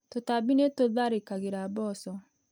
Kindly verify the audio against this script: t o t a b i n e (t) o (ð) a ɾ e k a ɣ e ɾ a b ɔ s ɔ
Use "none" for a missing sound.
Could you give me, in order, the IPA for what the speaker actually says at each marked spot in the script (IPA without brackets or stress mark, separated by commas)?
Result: t, ð